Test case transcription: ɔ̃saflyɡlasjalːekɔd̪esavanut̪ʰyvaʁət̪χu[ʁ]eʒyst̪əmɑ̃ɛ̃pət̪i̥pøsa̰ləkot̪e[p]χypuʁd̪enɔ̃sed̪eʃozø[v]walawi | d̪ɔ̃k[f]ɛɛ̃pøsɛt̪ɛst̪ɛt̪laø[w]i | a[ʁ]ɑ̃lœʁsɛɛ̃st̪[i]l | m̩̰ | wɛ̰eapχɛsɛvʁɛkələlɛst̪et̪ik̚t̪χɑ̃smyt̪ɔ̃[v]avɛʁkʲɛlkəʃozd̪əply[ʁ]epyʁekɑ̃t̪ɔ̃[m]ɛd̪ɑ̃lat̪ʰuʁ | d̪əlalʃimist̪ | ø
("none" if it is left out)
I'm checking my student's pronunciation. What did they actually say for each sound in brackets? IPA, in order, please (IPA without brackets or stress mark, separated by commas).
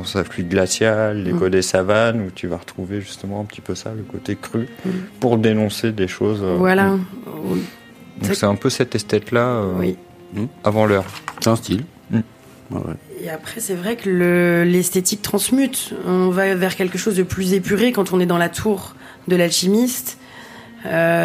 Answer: v, k, v, s, w, v, i, v, z, n